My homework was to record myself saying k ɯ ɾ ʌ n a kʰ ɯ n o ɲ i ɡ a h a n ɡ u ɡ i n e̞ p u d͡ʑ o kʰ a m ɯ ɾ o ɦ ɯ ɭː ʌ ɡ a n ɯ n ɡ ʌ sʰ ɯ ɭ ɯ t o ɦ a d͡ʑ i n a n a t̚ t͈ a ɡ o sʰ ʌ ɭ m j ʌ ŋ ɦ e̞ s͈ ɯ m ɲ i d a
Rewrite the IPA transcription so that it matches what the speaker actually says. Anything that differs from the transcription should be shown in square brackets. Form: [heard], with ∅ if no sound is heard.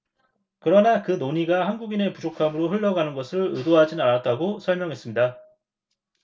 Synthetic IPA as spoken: k ɯ ɾ ʌ n a [k] ɯ n o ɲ i ɡ a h a n ɡ u ɡ i n e̞ p u d͡ʑ o kʰ a m ɯ ɾ o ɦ ɯ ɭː ʌ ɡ a n ɯ n ɡ ʌ sʰ ɯ ɭ ɯ [d] o ɦ a d͡ʑ i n a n a t̚ t͈ a ɡ o sʰ ʌ ɭ m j ʌ ŋ ɦ e̞ s͈ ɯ m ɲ i d a